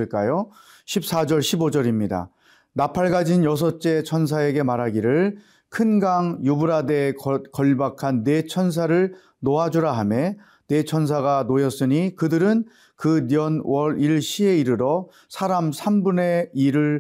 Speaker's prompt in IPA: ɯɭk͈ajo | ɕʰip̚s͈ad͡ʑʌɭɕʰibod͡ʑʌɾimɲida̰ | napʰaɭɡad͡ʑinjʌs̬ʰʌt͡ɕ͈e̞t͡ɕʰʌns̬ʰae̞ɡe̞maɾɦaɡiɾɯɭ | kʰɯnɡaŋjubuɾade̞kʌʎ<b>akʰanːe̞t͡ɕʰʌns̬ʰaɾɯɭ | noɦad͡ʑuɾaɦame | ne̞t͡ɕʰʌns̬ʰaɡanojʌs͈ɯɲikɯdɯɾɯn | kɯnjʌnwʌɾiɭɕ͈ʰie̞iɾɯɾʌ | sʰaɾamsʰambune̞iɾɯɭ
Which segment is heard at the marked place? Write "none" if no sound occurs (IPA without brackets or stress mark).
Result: b